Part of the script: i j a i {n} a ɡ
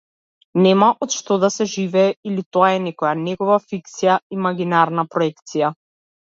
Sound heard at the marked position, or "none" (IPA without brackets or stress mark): m